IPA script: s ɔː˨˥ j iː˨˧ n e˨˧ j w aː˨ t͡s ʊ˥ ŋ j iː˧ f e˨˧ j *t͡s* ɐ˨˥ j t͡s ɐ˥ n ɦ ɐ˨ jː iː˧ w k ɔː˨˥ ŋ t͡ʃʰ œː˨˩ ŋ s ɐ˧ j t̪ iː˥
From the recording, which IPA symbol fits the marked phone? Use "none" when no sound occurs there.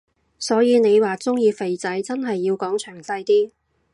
t͡s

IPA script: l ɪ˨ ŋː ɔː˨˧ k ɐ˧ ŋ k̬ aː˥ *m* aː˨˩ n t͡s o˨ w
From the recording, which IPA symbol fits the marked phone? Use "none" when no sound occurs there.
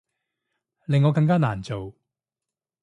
n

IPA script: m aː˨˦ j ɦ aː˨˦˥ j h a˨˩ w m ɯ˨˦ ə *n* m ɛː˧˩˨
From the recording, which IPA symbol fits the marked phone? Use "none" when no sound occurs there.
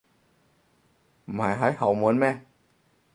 n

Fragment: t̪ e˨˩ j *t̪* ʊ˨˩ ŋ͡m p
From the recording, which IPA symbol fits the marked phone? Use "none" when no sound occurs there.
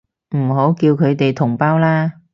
t̪ʰ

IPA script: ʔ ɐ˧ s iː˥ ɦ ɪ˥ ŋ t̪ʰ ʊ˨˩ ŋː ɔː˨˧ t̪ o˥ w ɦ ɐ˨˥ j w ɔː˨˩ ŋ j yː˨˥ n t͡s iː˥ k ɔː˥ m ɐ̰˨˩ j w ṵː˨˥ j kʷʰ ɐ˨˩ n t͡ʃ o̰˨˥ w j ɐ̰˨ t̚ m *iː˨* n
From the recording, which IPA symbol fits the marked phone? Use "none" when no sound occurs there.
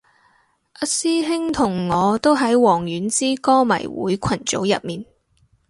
iː˨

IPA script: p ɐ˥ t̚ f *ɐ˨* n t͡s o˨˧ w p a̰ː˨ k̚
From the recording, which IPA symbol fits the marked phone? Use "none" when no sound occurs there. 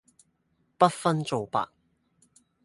ɐ˥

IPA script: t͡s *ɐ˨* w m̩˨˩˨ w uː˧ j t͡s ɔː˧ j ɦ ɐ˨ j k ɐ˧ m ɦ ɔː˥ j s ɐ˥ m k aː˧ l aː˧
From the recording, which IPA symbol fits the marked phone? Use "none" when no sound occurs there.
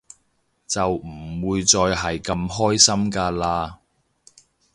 ɐ˨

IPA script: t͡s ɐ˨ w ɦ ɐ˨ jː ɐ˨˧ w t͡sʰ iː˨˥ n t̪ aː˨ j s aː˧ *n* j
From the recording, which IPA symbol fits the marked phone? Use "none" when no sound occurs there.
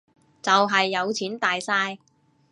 none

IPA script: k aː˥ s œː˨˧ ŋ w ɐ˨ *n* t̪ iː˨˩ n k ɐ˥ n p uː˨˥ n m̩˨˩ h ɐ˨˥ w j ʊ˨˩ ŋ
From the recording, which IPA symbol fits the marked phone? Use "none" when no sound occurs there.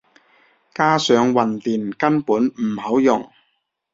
n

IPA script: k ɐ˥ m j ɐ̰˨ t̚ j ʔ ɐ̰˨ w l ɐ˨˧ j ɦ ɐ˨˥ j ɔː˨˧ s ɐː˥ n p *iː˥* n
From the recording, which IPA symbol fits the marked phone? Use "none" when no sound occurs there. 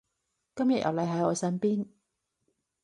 iː˥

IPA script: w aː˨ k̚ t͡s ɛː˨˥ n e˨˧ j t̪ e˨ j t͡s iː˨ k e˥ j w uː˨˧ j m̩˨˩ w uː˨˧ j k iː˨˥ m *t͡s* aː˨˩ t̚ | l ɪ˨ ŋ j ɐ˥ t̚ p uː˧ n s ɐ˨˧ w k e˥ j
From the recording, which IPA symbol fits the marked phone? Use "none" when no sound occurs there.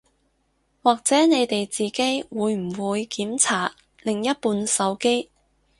t͡sʰ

